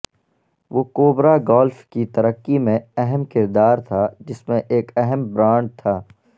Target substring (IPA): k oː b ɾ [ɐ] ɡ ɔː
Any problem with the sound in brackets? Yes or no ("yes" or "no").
yes